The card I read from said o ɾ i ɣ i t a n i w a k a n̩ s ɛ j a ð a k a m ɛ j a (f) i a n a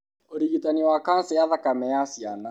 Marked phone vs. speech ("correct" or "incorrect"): incorrect